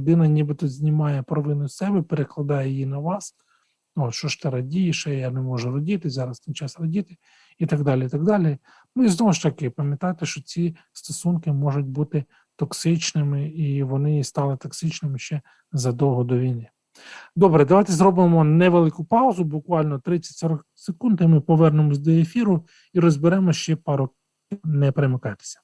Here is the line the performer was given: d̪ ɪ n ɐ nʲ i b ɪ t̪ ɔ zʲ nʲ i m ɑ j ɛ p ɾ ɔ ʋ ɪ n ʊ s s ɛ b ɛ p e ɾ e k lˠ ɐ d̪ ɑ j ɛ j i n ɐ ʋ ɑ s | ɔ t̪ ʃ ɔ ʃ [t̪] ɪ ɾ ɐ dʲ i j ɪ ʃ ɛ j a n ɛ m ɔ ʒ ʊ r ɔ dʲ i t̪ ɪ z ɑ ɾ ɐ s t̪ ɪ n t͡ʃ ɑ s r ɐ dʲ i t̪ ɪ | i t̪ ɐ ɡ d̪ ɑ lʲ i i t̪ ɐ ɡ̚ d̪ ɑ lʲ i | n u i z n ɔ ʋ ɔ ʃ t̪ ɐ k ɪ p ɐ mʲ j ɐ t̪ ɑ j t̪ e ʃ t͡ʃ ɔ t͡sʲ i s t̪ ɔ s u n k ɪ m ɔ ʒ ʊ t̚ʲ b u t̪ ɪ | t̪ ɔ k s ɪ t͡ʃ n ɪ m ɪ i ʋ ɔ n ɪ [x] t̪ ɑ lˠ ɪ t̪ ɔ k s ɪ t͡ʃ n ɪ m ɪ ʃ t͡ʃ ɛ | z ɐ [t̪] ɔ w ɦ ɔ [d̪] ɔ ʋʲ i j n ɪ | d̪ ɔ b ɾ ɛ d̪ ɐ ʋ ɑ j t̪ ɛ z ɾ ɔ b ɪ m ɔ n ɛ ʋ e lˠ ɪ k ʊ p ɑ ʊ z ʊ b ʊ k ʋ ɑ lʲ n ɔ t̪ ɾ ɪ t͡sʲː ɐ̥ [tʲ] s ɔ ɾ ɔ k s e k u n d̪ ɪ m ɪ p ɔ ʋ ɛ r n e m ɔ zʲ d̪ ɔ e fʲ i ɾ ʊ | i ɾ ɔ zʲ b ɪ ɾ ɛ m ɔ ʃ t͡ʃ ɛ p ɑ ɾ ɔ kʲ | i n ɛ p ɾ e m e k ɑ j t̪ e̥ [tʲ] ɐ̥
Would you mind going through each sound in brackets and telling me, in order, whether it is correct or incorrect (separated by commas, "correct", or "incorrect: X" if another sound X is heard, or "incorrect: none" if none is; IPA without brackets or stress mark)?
correct, incorrect: s, incorrect: d̪, correct, correct, incorrect: sʲ